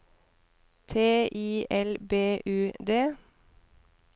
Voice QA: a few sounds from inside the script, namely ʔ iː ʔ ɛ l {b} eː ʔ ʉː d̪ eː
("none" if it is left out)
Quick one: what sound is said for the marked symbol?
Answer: b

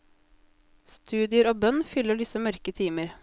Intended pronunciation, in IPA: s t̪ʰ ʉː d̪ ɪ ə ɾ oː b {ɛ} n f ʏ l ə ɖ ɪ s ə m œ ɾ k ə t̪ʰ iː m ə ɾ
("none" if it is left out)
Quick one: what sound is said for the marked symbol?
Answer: œ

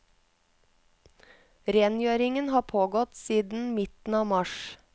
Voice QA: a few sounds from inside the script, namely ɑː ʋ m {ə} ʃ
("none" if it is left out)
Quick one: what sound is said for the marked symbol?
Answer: ɑ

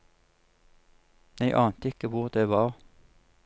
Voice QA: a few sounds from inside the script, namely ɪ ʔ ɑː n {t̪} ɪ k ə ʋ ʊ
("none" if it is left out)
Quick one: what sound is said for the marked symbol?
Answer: t̪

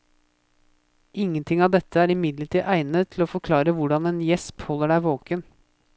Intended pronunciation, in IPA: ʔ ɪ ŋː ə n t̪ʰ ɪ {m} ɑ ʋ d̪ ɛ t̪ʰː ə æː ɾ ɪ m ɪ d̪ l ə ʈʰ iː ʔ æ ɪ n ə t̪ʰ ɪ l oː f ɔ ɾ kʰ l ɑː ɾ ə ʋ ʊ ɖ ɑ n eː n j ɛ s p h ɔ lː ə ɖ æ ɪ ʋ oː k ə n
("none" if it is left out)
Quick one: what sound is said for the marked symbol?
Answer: ŋ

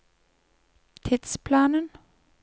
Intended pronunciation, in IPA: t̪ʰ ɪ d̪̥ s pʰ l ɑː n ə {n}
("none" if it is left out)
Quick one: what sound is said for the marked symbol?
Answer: n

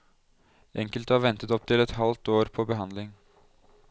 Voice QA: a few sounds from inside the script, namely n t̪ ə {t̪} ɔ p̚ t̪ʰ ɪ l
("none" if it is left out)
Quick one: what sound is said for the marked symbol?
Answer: t̪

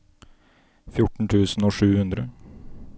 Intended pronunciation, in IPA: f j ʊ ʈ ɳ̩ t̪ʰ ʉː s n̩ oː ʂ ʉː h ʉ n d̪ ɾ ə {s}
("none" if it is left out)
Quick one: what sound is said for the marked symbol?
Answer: none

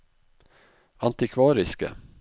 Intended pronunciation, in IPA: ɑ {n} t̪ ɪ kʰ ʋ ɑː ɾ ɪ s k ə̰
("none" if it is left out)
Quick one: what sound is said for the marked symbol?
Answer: n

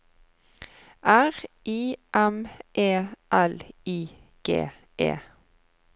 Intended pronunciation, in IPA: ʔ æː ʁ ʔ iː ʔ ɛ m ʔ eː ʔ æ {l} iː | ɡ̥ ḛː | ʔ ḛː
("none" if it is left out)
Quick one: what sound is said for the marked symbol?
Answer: l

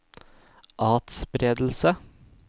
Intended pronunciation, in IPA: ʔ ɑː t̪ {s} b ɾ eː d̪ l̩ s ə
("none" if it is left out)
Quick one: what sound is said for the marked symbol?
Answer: s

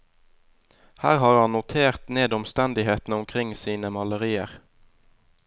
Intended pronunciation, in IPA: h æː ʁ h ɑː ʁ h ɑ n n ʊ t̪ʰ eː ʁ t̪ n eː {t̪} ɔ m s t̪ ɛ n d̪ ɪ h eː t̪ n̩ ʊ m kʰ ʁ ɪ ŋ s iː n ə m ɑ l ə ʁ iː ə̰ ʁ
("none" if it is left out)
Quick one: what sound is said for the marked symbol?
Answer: d̪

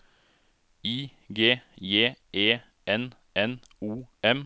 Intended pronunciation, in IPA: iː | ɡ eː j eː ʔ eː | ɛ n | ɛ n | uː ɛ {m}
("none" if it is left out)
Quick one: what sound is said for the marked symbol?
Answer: m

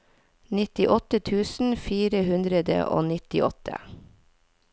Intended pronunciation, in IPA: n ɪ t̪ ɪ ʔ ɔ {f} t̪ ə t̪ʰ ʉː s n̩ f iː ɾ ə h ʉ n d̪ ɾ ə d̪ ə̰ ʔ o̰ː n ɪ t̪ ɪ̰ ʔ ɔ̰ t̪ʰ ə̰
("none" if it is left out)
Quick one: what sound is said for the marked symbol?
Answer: none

